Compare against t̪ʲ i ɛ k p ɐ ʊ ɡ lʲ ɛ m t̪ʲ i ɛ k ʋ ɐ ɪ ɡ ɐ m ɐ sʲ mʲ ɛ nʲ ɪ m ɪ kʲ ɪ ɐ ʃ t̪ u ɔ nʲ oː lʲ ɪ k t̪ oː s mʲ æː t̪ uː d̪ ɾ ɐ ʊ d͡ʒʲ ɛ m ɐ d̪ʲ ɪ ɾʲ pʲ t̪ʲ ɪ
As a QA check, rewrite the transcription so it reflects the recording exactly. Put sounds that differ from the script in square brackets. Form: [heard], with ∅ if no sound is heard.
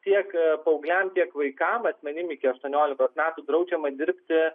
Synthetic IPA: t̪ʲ i ɛ k p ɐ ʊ ɡ lʲ ɛ m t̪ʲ i ɛ k ʋ ɐ ɪ [k] ɐ m ɐ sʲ mʲ ɛ nʲ ɪ m ɪ kʲ ɪ ɐ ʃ t̪ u ɔ nʲ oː lʲ ɪ k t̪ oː s mʲ æː t̪ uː d̪ ɾ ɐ ʊ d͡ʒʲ ɛ m ɐ d̪ʲ ɪ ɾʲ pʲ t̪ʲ ɪ